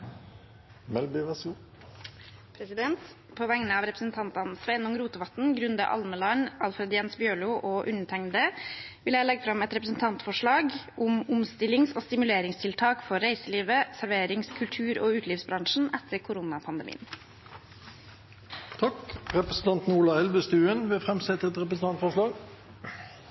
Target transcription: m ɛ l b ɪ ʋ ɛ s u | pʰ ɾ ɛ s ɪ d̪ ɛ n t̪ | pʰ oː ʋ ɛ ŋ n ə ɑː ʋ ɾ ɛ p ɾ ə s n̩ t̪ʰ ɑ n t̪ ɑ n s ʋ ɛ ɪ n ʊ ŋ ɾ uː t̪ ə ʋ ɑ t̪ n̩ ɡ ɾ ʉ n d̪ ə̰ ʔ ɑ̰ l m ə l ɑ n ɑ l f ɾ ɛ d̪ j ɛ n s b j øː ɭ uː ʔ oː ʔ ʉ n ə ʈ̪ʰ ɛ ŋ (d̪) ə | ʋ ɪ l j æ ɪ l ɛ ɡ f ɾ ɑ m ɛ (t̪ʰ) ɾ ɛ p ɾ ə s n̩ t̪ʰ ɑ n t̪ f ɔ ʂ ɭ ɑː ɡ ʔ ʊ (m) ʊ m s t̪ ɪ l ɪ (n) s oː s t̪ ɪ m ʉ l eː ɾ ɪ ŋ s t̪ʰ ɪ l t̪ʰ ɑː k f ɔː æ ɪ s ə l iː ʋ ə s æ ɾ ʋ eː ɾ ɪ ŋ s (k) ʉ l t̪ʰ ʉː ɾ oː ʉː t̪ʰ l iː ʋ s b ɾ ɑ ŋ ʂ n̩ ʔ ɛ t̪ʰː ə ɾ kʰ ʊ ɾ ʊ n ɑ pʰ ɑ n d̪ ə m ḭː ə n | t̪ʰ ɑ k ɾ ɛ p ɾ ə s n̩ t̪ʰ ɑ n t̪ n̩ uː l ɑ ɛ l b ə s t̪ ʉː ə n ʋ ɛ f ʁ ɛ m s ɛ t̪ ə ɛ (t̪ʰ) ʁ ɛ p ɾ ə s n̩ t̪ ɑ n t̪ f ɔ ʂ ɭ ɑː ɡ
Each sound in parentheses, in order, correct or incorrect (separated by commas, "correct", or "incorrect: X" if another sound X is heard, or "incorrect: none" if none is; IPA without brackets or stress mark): correct, incorrect: t̪, correct, incorrect: ŋ, incorrect: kʰ, incorrect: t̪